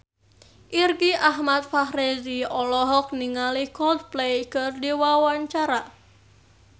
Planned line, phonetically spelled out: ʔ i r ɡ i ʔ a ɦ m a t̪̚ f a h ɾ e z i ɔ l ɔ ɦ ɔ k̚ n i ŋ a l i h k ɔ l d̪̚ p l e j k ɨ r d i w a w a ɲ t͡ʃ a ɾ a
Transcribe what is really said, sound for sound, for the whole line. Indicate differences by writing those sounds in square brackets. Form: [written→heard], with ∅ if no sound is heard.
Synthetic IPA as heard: ʔ i r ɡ i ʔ a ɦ m a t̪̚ f a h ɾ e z i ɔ l ɔ ɦ ɔ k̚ n i ŋ a l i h k ɔ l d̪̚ p l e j k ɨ r d i w a w a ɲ t͡ʃ a ɾ a